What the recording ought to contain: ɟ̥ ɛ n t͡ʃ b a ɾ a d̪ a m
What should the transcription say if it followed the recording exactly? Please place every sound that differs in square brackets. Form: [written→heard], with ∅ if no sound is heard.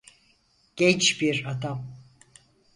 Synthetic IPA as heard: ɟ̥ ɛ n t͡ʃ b [a→i] ɾ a d̪ a m